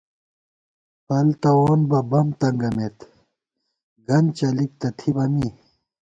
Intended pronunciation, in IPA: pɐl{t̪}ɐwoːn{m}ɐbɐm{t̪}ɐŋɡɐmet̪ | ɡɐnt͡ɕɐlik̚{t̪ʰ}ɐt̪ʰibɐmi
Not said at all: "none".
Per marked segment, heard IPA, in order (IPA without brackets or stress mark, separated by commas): t̪, b, t̪, t̪